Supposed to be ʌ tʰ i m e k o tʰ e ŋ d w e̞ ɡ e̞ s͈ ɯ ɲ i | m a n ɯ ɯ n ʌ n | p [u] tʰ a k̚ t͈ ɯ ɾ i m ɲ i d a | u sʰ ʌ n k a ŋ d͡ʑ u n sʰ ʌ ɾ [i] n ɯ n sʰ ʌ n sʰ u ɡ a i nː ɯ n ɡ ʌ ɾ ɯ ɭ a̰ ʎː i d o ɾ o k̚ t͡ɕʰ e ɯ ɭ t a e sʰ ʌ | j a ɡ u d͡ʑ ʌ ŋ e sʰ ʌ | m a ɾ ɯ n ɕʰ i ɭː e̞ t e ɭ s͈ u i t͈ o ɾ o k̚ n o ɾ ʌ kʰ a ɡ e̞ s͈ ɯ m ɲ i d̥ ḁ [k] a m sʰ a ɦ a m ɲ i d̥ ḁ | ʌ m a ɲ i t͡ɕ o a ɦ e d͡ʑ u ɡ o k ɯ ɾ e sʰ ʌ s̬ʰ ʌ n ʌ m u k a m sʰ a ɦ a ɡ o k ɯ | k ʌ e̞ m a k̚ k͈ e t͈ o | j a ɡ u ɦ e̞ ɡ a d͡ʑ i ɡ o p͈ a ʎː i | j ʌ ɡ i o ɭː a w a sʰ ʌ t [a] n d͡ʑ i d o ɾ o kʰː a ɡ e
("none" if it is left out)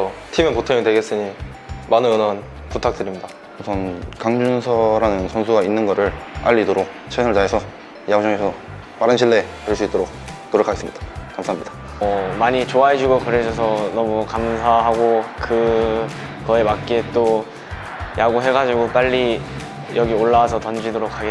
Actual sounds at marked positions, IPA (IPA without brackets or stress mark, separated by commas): u, a, k, ʌ